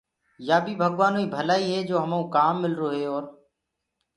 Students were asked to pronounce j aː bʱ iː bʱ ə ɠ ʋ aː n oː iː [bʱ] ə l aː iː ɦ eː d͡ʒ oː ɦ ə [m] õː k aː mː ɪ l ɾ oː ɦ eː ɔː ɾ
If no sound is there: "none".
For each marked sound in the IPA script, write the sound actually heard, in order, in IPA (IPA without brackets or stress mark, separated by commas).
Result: bʱ, m